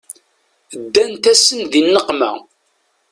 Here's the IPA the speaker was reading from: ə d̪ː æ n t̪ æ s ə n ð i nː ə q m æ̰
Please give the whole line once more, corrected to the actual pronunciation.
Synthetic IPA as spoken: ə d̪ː æ n t̪ æ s ə n ð i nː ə q m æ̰